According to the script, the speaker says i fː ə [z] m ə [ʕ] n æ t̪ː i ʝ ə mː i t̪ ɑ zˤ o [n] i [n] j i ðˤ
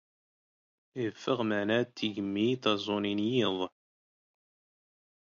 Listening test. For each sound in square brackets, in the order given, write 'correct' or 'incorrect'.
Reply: incorrect: ʁ, correct, correct, correct

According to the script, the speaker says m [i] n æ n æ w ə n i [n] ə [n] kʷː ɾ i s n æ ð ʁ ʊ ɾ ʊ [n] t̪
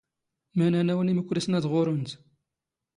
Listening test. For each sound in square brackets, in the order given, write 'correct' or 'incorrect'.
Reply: incorrect: æ, incorrect: m, incorrect: none, correct

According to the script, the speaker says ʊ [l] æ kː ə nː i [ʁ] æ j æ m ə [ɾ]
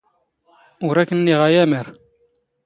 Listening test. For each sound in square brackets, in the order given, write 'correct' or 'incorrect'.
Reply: incorrect: ɾ, correct, correct

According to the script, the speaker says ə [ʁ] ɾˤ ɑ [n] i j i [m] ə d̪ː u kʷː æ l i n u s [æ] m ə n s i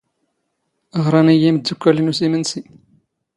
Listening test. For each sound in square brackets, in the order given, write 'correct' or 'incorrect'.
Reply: correct, correct, correct, incorrect: i

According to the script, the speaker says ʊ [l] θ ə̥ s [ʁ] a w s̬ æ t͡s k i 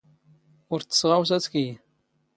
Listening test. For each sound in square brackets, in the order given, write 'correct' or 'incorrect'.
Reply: incorrect: ɾ, correct

